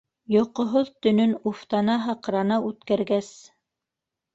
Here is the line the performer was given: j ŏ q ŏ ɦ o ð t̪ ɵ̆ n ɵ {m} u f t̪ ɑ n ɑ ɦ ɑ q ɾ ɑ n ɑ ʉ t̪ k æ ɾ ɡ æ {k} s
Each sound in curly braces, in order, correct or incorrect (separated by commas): incorrect, incorrect